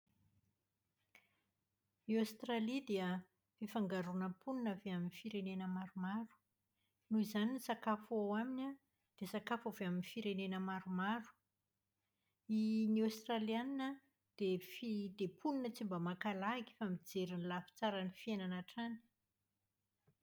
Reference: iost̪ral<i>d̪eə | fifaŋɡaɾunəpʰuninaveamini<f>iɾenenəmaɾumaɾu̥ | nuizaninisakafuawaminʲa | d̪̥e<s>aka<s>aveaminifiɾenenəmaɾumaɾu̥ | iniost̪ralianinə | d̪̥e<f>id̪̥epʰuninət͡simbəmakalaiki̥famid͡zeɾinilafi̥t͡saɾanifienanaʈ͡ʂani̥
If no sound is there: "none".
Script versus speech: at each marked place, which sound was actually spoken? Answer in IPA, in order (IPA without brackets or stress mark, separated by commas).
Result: i, f, s, f, f